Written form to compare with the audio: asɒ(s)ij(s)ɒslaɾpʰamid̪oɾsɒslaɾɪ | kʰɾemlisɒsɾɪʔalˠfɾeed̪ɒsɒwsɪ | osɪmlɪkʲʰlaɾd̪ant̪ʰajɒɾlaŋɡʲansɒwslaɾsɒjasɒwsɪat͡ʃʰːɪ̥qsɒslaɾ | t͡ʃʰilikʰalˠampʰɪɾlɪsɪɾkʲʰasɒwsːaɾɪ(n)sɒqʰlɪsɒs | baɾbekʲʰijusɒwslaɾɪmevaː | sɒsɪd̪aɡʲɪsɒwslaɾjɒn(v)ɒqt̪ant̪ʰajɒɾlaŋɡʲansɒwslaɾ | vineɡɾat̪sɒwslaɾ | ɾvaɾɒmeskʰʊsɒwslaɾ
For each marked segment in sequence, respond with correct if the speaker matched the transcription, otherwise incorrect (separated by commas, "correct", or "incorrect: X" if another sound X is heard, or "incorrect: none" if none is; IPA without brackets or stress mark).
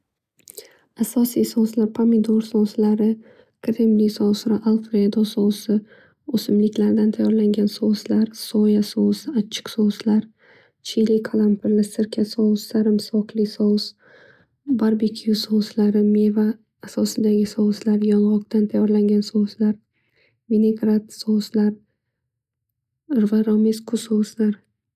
correct, correct, incorrect: m, incorrect: ʁ